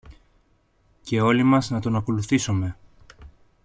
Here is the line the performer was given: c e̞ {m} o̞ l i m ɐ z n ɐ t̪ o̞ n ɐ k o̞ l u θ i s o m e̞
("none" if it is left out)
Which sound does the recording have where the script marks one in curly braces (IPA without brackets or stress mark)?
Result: none